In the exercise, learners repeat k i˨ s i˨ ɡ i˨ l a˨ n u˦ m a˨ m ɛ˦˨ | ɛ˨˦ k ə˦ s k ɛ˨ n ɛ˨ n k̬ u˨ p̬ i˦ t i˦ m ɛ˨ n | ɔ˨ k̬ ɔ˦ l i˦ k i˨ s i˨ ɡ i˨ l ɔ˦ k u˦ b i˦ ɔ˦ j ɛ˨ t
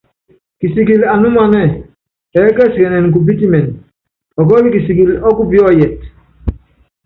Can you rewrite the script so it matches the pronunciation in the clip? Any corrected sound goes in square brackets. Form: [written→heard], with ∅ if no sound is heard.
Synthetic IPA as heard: k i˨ s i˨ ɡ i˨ l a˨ n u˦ m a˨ [m→n] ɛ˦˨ | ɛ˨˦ k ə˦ s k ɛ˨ n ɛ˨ n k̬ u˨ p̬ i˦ t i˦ m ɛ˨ n | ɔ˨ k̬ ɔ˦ l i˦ k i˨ s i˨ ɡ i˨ l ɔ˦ k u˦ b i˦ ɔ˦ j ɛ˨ t